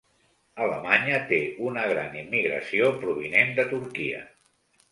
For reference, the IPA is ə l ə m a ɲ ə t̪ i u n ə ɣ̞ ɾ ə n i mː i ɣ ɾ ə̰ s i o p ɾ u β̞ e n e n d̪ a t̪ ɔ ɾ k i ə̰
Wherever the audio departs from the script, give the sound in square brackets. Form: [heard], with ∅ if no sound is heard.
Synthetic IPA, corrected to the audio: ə l ə m a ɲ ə t̪ [e] u n ə ɣ̞ ɾ [a] n i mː i ɣ ɾ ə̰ s i o p ɾ u β̞ [i] n e n d̪ [ə] t̪ [u] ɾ k i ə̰